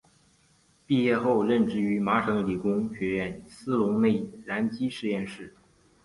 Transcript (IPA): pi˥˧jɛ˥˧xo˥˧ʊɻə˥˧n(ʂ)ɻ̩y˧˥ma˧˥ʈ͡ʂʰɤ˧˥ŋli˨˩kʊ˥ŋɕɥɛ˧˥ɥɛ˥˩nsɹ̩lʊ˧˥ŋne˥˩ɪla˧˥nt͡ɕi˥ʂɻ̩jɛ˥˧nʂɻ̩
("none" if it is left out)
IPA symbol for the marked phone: ʈ͡ʂ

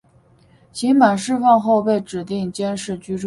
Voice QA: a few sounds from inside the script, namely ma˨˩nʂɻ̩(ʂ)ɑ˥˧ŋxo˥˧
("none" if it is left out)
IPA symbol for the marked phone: f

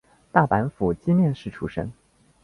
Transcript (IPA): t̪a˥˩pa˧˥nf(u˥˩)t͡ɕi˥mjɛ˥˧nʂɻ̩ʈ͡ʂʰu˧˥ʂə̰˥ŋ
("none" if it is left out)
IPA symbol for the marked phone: u˨˩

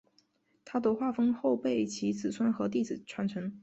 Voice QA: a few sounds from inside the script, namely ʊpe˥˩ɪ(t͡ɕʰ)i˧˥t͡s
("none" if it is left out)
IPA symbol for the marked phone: t͡ɕʰ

